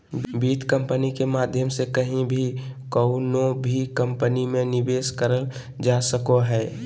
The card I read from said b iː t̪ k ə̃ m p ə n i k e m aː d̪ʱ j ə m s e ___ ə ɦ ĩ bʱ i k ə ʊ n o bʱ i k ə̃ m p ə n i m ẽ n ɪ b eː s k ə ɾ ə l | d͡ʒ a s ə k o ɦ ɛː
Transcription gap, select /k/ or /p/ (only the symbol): k